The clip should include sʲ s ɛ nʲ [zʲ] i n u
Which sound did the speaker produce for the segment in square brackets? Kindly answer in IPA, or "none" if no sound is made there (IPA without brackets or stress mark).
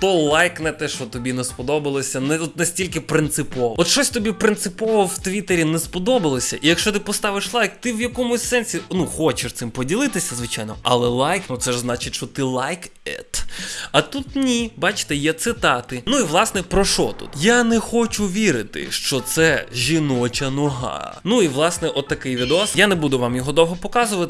sʲ